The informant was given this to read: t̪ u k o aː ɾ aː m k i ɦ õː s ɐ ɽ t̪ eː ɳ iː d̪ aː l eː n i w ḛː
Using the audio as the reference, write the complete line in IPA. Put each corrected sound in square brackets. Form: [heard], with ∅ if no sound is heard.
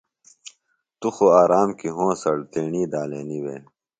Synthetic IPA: t̪ u [x] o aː ɾ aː m k i ɦ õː s ɐ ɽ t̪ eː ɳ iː d̪ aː l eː n i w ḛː

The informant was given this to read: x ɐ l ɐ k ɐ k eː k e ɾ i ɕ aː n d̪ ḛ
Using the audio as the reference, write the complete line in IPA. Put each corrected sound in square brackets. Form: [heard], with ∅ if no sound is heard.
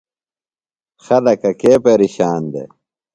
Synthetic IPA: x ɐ l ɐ k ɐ k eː [p] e ɾ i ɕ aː n d̪ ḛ

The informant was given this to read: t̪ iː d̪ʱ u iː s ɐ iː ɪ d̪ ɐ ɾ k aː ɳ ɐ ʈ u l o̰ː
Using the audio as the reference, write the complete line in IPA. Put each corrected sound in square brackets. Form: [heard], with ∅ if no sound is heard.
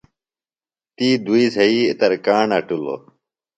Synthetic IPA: t̪ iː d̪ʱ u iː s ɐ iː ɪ [t̪] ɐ ɾ k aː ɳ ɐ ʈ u l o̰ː

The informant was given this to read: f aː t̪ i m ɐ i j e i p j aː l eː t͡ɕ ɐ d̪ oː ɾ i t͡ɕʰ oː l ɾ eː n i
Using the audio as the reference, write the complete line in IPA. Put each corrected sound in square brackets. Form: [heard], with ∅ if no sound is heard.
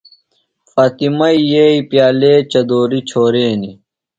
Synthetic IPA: f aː t̪ i m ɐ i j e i p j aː l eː t͡ɕ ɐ d̪ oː ɾ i t͡ɕʰ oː [∅] ɾ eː n i

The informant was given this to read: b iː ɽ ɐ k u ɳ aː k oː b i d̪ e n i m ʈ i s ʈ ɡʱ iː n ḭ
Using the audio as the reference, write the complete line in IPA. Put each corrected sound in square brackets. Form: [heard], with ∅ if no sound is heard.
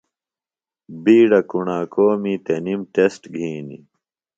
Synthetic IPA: b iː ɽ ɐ k u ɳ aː k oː [m] i [t̪] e n i m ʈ [e] s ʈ ɡʱ iː n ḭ

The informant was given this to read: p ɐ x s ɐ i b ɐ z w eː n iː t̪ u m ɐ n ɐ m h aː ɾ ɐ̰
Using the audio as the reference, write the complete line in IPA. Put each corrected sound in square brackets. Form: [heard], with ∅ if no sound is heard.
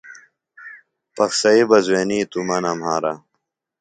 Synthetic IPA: p ɐ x s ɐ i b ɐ z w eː n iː t̪ u m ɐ n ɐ m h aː ɾ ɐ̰

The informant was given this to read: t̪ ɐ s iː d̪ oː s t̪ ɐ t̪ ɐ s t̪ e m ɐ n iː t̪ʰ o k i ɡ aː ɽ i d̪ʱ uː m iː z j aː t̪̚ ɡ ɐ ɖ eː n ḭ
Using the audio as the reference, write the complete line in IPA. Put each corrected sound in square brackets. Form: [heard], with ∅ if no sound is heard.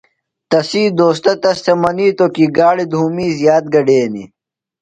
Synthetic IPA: t̪ ɐ s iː d̪ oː s t̪ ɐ t̪ ɐ s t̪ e m ɐ n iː [t̪] o k i ɡ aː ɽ i d̪ʱ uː m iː z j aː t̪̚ ɡ ɐ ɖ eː n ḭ

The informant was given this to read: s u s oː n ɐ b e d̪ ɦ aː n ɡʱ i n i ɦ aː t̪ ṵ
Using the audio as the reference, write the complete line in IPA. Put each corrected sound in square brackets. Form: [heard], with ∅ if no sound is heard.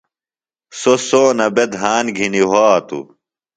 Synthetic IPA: s [o] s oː n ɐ b e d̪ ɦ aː n ɡʱ i n i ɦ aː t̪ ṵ

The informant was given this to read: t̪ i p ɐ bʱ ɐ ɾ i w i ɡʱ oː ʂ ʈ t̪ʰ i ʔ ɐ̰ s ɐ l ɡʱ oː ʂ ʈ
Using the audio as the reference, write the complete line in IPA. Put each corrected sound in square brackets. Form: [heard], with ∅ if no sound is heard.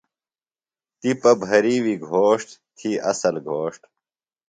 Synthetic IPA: t̪ i p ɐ bʱ ɐ ɾ i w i ɡʱ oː ʂ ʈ t̪ʰ i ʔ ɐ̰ s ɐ l ɡʱ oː ʂ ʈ

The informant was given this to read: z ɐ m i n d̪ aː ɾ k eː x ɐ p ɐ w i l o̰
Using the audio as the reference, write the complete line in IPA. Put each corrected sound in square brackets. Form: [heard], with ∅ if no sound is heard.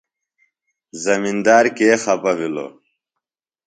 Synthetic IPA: z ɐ m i n d̪ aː ɾ k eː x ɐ p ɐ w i l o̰

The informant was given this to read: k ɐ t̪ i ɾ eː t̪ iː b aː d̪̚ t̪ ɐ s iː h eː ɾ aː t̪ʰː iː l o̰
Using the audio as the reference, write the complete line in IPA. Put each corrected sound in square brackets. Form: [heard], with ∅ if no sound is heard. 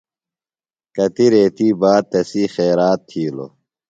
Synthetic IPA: k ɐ t̪ i ɾ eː t̪ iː b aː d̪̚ t̪ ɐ s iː [x] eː ɾ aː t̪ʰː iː l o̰

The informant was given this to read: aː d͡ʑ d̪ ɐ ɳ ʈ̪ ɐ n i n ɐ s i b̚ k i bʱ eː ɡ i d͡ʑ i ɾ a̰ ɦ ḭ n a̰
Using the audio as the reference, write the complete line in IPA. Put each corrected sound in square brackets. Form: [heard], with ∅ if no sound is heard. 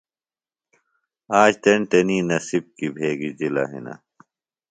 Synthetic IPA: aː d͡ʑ [t̪] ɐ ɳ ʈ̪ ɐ n i n ɐ s i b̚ k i bʱ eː ɡ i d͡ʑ i [l] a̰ ɦ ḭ n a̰

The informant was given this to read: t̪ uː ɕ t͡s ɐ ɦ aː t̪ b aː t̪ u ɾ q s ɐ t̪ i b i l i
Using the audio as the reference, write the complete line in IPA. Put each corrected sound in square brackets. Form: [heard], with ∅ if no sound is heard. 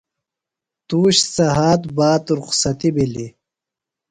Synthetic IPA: t̪ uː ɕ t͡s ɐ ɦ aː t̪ b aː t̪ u ɾ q s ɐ t̪ i b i l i

